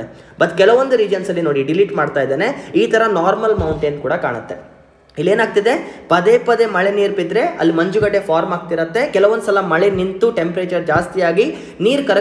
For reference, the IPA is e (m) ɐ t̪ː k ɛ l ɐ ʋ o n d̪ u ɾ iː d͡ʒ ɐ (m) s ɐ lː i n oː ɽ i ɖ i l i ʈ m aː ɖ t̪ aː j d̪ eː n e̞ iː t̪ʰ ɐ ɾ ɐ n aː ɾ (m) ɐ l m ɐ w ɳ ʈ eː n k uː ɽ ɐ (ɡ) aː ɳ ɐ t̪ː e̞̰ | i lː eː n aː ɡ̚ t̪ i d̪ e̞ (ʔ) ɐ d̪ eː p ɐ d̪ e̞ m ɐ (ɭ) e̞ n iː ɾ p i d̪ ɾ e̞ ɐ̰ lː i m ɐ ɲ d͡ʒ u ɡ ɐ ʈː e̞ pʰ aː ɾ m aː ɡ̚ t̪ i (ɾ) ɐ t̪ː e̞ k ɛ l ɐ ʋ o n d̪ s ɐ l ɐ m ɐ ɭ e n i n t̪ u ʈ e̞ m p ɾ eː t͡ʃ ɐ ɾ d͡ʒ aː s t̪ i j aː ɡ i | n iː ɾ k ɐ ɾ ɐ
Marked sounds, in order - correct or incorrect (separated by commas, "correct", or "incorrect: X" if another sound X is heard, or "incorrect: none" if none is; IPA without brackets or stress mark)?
incorrect: b, incorrect: n, correct, incorrect: k, incorrect: p, correct, correct